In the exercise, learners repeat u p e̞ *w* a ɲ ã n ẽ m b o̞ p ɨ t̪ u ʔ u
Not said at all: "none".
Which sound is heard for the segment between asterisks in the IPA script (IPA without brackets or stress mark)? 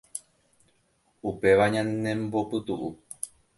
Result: ʋ